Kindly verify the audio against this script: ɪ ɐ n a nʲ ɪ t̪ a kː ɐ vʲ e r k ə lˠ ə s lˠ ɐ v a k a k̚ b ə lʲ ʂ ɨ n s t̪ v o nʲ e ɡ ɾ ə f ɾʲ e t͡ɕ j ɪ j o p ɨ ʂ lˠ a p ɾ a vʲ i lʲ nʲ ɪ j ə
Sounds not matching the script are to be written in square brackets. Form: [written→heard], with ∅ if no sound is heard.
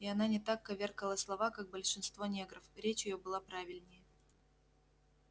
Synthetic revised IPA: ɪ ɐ n a nʲ ɪ t̪ a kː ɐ vʲ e r k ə lˠ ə s lˠ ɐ v a k a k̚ b ə lʲ ʂ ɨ n s t̪ v o nʲ e ɡ ɾ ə f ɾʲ e t͡ɕ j ɪ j o [p→b] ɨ [ʂ→∅] lˠ a p ɾ a vʲ [i→ɪ] lʲ nʲ ɪ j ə